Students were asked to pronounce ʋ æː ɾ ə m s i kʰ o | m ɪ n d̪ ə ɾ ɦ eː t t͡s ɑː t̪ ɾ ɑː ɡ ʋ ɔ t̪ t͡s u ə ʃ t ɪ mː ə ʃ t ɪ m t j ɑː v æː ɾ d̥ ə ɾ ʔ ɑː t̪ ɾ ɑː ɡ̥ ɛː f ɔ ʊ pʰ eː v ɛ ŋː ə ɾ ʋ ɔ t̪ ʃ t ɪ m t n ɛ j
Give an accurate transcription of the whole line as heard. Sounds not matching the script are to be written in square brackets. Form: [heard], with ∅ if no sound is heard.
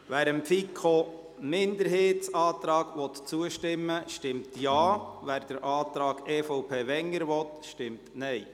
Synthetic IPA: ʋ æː ɾ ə m [f] i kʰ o | m ɪ n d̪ ə ɾ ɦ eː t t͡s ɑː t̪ ɾ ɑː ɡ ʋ ɔ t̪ t͡s u ə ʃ t ɪ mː ə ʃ t ɪ m t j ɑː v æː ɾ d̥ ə ɾ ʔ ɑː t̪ ɾ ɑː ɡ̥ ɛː f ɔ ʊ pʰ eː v ɛ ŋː ə ɾ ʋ ɔ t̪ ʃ t ɪ m t n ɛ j